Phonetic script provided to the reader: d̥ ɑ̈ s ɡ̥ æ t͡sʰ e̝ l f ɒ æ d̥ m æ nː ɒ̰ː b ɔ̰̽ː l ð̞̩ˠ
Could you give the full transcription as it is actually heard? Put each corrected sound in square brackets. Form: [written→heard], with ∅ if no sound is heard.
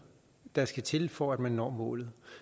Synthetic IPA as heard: d̥ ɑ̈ s ɡ̥ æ t͡sʰ e̝ l f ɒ æ d̥ m æ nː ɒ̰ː [b→m] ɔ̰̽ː l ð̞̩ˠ